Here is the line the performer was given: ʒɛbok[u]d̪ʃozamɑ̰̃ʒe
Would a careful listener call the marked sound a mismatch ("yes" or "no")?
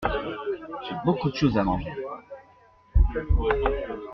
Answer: no